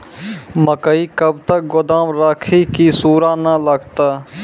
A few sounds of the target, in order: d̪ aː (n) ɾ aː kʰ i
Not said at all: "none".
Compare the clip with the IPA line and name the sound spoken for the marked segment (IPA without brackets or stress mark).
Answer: m